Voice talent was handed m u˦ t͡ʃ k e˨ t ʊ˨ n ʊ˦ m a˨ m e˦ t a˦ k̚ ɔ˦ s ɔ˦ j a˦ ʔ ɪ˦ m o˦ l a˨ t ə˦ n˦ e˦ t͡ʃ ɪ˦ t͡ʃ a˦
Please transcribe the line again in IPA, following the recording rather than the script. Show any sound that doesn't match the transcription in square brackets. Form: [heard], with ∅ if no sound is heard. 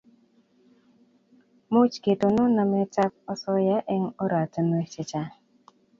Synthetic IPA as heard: m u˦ t͡ʃ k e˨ t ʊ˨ n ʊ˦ [n] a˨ m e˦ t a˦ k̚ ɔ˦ s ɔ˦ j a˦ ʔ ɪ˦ [ŋ] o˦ [ɾ] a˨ t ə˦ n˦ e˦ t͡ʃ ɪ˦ t͡ʃ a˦